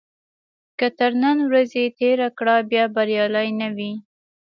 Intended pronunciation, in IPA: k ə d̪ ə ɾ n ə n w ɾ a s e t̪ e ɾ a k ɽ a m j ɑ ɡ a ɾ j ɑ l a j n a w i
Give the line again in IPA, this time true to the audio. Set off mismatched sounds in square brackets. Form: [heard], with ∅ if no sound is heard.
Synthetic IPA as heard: k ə [t̪] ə ɾ n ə n w ɾ a [z] e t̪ e ɾ a k ɽ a [b] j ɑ [b] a ɾ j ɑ l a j n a w i